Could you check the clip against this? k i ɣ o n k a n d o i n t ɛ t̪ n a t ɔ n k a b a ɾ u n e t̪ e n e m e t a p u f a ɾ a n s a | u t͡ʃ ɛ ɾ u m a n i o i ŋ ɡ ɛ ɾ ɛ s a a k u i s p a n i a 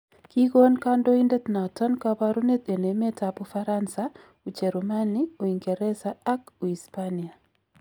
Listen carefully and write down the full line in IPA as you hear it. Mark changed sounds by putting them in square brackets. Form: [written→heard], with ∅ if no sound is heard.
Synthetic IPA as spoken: k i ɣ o n k a n d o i n [t→d] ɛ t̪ n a t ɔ n k a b a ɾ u n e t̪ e n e m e t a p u f a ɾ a n s a | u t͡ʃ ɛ ɾ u m a n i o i ŋ ɡ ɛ ɾ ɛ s a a k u i s p a n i a